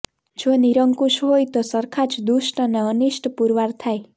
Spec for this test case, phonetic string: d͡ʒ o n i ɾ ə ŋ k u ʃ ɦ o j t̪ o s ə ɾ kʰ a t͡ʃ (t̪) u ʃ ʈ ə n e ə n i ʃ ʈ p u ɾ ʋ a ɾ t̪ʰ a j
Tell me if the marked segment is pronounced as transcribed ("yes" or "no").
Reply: no